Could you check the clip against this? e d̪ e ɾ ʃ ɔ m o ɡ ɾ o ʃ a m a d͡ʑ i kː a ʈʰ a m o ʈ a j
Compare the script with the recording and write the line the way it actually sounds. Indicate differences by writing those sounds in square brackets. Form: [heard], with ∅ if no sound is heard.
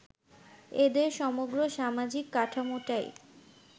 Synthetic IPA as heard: e d̪ e ɾ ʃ ɔ m o ɡ ɾ o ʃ a m a d͡ʑ i kː a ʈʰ a m o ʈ a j